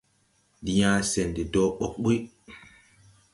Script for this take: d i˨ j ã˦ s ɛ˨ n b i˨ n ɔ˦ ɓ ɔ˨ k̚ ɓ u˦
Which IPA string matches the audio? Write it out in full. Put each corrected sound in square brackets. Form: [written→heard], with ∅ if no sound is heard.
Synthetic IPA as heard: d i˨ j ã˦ s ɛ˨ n [b→d] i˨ [n→d] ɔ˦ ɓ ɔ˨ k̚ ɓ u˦